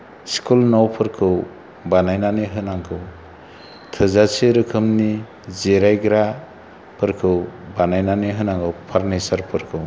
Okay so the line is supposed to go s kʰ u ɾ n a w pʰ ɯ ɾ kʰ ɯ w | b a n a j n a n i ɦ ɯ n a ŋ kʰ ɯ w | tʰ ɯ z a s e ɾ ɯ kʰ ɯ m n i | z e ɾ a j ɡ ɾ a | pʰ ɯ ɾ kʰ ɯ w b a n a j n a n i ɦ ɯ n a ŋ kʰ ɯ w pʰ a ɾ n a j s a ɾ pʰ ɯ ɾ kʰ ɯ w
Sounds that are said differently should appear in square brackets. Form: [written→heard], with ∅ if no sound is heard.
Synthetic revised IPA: s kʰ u [ɾ→l] n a w pʰ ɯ ɾ kʰ ɯ w | b a n a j n a n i ɦ ɯ n a ŋ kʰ ɯ w | tʰ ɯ z a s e ɾ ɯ kʰ ɯ m n i | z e ɾ a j ɡ ɾ a | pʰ ɯ ɾ kʰ ɯ w b a n a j n a n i ɦ ɯ n a ŋ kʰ ɯ w pʰ a ɾ n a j s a ɾ pʰ ɯ ɾ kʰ ɯ w